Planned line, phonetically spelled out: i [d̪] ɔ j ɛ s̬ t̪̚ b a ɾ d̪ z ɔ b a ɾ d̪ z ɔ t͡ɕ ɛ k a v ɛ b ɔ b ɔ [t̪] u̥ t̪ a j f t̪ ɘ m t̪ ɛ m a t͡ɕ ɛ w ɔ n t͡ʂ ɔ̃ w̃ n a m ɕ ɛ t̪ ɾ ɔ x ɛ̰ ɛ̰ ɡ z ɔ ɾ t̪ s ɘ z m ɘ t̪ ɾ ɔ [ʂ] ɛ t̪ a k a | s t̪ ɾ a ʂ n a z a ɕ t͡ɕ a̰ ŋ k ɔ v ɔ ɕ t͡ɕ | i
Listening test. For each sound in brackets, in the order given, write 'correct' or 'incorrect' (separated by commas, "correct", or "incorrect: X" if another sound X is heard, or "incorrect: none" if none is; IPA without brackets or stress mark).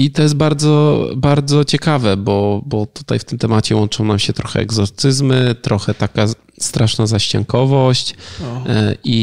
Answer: incorrect: t̪, correct, incorrect: x